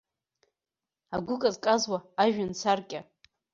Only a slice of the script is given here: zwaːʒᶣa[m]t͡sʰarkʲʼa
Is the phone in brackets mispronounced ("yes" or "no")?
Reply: yes